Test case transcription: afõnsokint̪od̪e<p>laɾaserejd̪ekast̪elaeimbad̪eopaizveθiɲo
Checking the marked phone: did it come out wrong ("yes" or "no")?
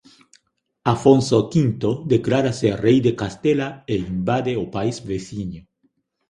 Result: yes